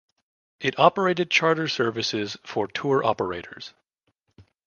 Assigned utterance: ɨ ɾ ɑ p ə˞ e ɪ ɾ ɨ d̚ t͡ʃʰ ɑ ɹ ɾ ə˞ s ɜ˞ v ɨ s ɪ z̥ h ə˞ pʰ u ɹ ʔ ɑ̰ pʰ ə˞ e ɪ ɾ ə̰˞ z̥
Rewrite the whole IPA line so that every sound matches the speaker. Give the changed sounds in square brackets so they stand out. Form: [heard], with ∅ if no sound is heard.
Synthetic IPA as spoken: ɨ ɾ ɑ p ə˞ e ɪ ɾ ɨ d̚ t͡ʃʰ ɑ ɹ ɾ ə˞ s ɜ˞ v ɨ s ɪ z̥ [f] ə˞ [tʰ] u ɹ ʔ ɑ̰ [p] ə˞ e ɪ ɾ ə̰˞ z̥